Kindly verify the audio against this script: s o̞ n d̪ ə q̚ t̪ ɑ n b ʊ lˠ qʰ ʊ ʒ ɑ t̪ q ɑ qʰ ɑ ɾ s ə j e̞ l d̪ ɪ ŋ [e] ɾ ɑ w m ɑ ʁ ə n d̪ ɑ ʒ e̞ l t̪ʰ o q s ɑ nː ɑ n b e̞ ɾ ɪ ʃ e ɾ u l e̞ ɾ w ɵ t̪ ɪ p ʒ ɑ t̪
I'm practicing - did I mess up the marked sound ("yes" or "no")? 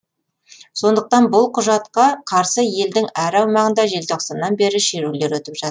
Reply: yes